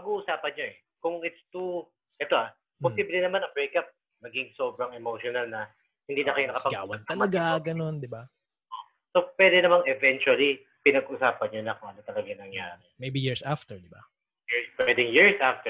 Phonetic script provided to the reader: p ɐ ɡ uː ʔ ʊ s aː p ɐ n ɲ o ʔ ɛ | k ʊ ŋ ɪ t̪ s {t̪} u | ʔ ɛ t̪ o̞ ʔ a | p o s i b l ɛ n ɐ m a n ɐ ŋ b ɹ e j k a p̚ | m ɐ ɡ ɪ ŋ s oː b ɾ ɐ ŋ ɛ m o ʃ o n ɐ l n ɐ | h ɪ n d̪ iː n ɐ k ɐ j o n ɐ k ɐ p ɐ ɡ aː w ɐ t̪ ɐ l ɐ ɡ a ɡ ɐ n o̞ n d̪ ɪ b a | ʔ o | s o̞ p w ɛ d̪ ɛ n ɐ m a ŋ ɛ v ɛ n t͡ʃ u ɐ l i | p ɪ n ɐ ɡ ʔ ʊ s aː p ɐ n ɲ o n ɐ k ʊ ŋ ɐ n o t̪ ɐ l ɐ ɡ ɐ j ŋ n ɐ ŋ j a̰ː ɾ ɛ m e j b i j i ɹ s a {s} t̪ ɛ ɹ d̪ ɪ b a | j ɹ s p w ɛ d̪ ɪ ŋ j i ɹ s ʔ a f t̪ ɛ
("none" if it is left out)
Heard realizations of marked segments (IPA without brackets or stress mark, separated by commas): t̪, f